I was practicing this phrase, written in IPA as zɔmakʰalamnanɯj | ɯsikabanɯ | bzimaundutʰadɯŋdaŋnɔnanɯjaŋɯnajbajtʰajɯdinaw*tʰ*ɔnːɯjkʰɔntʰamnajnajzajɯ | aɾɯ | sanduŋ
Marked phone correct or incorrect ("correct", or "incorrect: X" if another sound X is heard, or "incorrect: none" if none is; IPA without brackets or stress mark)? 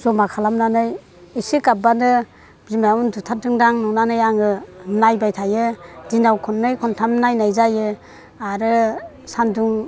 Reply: incorrect: kʰ